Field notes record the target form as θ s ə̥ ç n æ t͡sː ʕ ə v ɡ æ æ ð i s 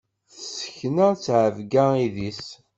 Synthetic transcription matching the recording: θ s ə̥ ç n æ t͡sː ʕ ə v ɡ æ i ð i s